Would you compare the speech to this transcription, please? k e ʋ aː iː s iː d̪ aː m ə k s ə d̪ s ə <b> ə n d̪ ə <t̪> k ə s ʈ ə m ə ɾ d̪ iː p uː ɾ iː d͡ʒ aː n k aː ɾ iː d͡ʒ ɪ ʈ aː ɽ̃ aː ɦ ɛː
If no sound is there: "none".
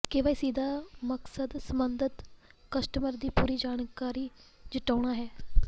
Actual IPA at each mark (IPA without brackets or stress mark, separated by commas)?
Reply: m, t̪